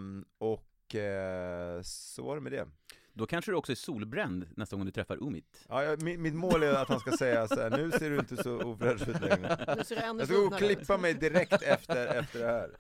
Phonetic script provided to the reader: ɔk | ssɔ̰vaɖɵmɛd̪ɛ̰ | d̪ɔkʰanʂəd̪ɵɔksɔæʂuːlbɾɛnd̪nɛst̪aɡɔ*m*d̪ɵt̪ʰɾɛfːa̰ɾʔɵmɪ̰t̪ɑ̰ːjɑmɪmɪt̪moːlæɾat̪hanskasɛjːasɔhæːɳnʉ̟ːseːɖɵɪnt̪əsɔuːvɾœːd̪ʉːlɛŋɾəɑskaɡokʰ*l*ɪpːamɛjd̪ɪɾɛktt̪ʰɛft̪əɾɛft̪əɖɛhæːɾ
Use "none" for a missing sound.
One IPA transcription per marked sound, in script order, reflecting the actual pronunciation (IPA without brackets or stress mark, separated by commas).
ŋ, l